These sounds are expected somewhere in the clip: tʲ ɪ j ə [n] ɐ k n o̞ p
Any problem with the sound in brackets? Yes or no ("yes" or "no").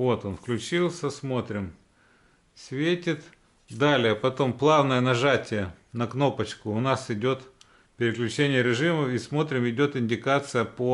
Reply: no